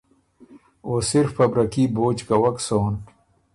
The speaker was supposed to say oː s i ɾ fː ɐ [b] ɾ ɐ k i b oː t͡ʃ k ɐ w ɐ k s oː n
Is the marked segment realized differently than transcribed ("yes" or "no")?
no